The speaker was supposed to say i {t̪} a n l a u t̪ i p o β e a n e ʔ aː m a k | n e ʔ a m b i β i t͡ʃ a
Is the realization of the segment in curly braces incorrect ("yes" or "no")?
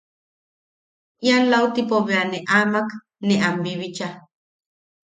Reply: yes